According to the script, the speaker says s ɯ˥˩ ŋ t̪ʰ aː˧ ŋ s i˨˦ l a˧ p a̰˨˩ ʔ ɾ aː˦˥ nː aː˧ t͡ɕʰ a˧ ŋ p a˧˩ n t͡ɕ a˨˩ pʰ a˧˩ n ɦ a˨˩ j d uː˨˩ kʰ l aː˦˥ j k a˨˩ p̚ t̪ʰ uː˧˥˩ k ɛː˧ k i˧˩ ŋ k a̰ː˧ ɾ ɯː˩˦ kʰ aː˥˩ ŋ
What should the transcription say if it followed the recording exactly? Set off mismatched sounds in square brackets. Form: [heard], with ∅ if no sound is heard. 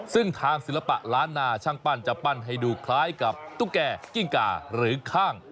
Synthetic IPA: s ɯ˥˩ ŋ t̪ʰ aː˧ ŋ s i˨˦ l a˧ p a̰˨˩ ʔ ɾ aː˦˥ nː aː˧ t͡ɕʰ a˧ ŋ p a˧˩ n t͡ɕ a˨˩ [p] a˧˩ n ɦ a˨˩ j d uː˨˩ kʰ l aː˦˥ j k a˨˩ p̚ [t̪] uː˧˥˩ k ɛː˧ k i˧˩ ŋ k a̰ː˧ ɾ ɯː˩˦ kʰ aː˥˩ ŋ